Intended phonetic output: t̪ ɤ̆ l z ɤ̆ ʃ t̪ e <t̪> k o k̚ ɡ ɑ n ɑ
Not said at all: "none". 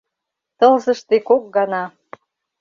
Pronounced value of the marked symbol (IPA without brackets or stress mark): none